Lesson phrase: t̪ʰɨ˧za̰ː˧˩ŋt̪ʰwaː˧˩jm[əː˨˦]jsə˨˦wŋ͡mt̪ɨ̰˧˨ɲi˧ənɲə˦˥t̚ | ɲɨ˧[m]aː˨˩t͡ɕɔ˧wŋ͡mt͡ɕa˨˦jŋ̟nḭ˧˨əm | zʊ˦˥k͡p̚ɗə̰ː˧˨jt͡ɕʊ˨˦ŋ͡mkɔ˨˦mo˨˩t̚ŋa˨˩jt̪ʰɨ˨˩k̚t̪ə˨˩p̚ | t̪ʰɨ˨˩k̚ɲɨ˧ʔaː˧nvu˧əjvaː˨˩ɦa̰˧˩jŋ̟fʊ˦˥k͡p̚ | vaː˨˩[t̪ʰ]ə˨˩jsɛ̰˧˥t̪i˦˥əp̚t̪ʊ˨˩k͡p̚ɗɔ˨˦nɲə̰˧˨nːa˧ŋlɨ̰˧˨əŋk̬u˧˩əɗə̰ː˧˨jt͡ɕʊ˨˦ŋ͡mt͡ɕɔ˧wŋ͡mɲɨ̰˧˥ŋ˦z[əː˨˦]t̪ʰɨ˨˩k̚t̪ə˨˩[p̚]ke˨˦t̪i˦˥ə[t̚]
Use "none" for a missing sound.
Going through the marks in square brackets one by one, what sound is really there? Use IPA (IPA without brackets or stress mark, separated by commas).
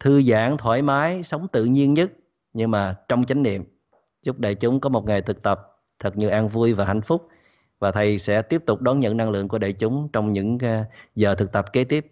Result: aː˨˦, m, t̪ʰ, əː˨˩, p̚, p̚